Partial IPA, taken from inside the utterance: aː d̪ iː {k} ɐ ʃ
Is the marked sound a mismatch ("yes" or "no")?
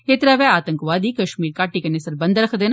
no